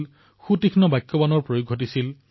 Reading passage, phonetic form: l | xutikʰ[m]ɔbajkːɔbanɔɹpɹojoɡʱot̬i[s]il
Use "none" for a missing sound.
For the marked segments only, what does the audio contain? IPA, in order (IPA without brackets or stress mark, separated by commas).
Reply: n, s